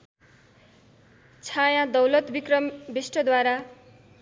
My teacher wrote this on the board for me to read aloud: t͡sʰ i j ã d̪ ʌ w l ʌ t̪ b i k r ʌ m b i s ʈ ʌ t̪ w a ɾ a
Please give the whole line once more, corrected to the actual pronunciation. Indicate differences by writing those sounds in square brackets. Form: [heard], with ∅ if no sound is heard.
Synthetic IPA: t͡sʰ [a] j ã d̪ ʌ w l ʌ t̪ b i k r ʌ m b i s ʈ ʌ [d̪] w a ɾ a